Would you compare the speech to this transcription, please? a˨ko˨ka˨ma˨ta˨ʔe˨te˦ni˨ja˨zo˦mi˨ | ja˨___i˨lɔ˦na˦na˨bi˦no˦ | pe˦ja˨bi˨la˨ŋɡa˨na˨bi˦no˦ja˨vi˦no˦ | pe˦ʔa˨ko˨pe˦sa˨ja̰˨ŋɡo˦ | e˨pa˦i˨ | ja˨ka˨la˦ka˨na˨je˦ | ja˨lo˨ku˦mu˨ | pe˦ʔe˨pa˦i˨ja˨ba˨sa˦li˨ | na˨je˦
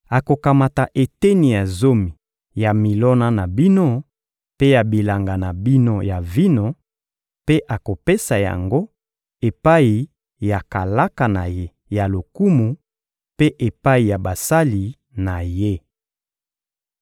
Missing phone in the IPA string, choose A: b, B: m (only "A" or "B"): B